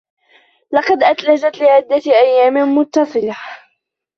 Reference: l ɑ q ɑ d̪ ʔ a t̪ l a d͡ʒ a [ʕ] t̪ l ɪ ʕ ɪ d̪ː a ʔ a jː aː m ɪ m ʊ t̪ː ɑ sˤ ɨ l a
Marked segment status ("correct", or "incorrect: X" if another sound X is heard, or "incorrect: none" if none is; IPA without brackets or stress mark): incorrect: none